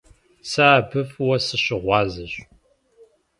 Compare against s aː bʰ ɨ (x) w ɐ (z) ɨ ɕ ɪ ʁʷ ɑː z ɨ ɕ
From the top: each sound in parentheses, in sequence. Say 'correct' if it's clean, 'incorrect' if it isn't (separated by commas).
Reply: incorrect, incorrect